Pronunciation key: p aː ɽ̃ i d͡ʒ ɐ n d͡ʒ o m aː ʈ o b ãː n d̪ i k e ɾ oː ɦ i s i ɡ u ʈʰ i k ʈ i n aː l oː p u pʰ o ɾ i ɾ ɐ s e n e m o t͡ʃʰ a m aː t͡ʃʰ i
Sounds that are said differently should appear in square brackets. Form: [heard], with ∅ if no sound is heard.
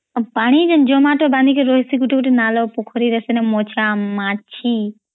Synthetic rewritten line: p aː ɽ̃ i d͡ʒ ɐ n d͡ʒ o m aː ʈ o b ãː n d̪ i k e ɾ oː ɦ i s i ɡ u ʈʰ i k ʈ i n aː l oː p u [kʰ] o ɾ i ɾ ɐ s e n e m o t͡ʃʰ a m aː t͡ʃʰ i